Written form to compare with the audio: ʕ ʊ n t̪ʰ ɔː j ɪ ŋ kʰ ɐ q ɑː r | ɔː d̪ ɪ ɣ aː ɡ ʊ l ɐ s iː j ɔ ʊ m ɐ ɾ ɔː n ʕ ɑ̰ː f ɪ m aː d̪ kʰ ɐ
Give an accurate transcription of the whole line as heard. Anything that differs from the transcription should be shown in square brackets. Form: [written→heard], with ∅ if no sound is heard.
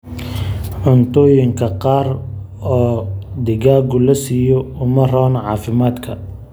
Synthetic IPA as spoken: ʕ ʊ n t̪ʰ ɔː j ɪ ŋ kʰ ɐ q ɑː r | ɔː d̪ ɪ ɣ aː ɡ ʊ l ɐ s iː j ɔ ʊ m ɐ [ɾ→r] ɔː n ʕ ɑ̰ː f ɪ m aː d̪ kʰ ɐ